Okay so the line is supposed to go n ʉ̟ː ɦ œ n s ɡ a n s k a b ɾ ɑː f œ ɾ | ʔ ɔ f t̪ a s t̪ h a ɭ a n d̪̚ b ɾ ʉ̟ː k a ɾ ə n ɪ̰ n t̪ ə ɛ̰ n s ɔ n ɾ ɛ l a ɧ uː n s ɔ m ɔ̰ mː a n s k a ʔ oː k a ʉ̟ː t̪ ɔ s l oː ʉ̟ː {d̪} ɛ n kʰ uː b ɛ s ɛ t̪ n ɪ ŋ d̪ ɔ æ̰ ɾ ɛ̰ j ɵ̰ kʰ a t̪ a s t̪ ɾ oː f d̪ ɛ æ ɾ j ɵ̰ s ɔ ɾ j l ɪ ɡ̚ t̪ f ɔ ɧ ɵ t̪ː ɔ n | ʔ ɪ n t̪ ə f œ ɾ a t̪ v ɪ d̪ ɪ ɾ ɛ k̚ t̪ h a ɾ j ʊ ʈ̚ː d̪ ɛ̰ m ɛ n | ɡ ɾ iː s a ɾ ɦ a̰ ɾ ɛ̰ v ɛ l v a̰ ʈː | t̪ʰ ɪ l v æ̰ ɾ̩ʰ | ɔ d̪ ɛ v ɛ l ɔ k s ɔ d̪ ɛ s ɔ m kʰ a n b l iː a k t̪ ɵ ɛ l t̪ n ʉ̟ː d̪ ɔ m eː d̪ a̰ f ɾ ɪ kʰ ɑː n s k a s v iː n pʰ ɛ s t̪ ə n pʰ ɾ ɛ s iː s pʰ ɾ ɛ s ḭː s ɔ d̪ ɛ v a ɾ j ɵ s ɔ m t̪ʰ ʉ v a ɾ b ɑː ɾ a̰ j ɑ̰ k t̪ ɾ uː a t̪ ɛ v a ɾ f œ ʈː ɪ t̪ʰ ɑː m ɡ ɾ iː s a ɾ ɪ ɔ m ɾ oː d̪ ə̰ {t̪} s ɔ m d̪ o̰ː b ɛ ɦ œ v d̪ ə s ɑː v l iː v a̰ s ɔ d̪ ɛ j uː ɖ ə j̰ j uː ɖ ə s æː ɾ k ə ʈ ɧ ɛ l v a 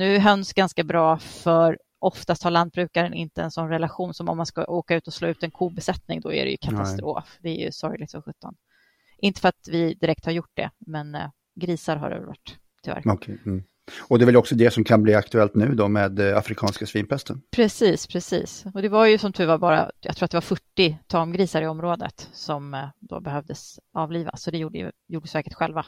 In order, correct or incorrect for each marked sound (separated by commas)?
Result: incorrect, correct